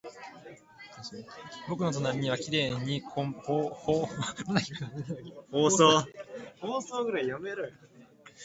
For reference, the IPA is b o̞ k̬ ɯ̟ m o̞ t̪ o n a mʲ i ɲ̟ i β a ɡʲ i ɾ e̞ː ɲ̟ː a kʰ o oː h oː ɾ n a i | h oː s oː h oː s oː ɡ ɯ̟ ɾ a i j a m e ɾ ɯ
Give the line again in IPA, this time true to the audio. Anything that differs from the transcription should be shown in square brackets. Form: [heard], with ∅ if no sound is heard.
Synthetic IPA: b o̞ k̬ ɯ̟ [n] o̞ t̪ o n a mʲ i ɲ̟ i β a [kʲ] i ɾ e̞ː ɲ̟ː [i] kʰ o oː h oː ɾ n a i | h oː s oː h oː s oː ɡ ɯ̟ ɾ a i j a m e ɾ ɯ

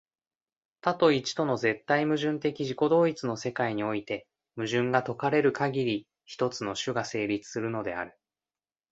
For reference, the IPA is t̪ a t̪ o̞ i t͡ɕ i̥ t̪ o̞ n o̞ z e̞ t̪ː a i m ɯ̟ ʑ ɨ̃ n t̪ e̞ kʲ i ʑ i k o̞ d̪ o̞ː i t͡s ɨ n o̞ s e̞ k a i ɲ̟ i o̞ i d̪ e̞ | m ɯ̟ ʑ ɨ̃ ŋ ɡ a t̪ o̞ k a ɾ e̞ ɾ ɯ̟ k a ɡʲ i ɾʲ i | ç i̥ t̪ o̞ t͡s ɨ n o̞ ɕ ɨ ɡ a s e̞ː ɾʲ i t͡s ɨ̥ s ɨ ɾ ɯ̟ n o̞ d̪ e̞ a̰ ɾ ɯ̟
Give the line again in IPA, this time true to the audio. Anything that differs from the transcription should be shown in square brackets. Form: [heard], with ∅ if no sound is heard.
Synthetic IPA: t̪ a t̪ o̞ i t͡ɕ i̥ t̪ o̞ n o̞ z e̞ t̪ː a i m ɯ̟ ʑ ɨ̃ n t̪ e̞ kʲ i ʑ i k o̞ d̪ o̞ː i t͡s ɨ n o̞ s e̞ k a i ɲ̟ i o̞ i [t̪] e̞ | m ɯ̟ ʑ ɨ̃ ŋ ɡ a t̪ o̞ k a ɾ e̞ ɾ ɯ̟ k a ɡʲ i ɾʲ i | ç i̥ t̪ o̞ t͡s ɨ n o̞ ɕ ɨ ɡ a s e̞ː ɾʲ i t͡s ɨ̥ s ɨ ɾ ɯ̟ n o̞ d̪ e̞ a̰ ɾ ɯ̟

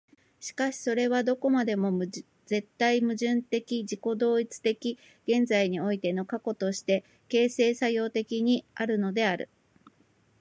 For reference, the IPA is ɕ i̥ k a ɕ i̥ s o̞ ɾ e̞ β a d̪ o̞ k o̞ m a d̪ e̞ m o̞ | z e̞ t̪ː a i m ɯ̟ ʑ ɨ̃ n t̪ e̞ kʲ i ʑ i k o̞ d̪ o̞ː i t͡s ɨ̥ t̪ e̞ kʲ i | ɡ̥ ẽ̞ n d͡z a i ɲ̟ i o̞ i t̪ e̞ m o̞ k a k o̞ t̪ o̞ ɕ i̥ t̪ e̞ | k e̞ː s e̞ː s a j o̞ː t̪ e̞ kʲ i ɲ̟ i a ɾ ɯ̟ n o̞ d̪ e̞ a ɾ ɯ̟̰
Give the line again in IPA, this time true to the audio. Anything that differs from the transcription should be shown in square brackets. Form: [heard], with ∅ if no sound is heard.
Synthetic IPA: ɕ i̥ k a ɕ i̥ s o̞ ɾ e̞ β a d̪ o̞ k o̞ m a d̪ e̞ m o̞ | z e̞ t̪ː a i m ɯ̟ ʑ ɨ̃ n t̪ e̞ kʲ i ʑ i k o̞ d̪ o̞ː i t͡s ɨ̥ t̪ e̞ kʲ i | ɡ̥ ẽ̞ n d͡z a i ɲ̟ i o̞ i t̪ e̞ [n] o̞ k a k o̞ t̪ o̞ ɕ i̥ t̪ e̞ | k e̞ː s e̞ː s a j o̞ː t̪ e̞ kʲ i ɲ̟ i a ɾ ɯ̟ n o̞ d̪ e̞ a ɾ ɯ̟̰

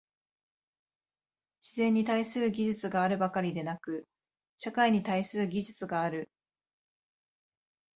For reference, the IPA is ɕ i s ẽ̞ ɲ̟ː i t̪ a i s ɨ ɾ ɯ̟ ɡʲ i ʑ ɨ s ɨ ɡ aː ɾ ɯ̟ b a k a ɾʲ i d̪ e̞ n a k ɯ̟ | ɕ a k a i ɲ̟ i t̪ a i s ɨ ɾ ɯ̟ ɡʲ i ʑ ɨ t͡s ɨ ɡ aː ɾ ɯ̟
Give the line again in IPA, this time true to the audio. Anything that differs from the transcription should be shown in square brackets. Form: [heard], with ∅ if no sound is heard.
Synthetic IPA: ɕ i [z] ẽ̞ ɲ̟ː i t̪ a i s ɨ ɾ ɯ̟ ɡʲ i ʑ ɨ [t͡s] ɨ ɡ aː ɾ ɯ̟ b a k a ɾʲ i d̪ e̞ n a k ɯ̟ | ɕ a k a i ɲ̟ i t̪ a i s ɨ ɾ ɯ̟ ɡʲ i ʑ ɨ t͡s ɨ ɡ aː ɾ ɯ̟

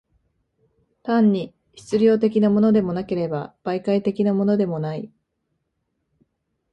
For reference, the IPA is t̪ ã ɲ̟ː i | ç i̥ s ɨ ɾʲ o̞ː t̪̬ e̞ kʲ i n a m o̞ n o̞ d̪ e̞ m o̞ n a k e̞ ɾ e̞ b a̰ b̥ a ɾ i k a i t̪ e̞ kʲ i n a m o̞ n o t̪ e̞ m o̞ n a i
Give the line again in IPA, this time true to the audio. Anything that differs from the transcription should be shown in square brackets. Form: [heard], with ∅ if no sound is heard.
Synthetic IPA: t̪ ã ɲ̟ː i | ç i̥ [t͡s] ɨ ɾʲ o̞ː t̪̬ e̞ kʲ i n a m o̞ n o̞ d̪ e̞ m o̞ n a k e̞ ɾ e̞ b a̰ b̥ a [∅] i k a i t̪ e̞ kʲ i n a m o̞ n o [d̪] e̞ m o̞ n a i

